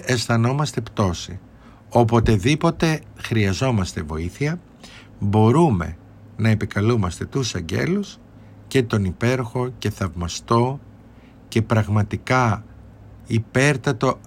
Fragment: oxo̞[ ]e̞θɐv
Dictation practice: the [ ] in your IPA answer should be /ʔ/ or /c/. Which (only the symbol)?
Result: c